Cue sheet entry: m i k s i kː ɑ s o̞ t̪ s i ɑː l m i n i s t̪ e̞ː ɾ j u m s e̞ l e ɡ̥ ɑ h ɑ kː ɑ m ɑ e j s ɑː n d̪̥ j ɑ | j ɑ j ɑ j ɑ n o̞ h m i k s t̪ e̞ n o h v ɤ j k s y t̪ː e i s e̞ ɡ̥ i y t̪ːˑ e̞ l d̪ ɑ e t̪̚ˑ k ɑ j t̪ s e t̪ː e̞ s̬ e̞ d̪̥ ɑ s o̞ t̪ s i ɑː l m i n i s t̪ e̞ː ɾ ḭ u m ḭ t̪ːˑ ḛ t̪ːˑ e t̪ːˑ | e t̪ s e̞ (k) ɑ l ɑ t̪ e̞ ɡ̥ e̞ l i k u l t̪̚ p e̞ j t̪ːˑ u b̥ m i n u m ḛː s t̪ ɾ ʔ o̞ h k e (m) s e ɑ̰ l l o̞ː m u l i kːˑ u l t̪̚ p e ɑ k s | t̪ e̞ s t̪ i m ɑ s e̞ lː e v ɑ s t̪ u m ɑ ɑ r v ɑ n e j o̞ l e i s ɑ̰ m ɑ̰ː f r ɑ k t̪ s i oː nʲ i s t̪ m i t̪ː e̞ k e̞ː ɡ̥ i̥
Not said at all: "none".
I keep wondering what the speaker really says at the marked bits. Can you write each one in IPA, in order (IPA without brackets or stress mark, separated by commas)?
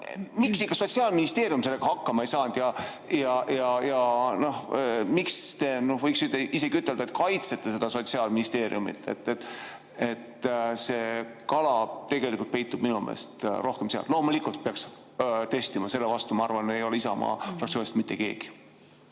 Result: k, m